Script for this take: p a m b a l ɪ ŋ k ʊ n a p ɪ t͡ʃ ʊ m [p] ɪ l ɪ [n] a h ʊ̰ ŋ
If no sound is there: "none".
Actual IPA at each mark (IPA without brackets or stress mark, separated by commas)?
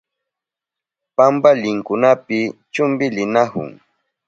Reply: b, n